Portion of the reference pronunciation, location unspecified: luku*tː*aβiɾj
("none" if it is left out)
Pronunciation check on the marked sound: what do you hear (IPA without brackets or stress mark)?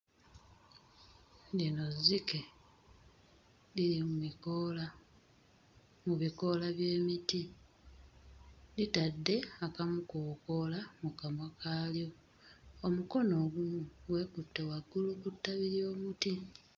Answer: tː